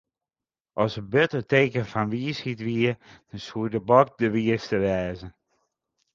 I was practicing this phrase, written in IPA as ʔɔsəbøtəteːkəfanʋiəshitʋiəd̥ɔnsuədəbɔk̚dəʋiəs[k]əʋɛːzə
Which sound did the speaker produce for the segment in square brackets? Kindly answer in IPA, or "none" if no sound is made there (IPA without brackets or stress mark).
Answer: t